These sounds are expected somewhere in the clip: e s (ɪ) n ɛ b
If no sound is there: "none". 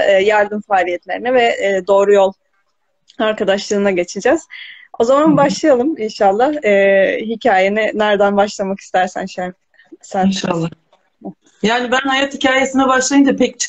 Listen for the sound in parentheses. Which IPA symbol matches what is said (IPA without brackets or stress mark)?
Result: i